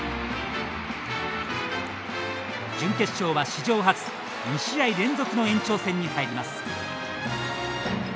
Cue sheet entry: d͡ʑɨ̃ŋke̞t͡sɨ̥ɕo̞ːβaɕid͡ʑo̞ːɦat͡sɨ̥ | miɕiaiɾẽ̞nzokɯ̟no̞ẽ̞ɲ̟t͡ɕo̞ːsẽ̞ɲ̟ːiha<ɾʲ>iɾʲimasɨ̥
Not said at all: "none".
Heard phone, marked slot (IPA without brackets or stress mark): none